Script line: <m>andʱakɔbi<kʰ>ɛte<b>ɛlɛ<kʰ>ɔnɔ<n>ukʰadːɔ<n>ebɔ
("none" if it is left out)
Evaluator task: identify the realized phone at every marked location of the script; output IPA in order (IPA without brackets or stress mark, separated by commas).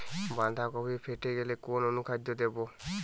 b, pʰ, ɡ, k, n, d